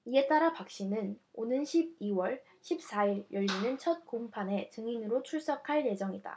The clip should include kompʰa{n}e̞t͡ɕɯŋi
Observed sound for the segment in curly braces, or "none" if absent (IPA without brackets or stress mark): n